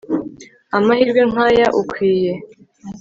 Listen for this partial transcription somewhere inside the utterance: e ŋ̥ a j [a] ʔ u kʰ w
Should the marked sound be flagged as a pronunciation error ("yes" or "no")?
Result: no